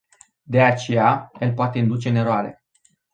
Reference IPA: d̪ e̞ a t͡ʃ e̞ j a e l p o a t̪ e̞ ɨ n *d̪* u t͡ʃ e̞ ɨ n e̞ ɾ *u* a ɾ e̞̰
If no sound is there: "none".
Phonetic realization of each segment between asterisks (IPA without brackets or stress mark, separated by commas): d̪, o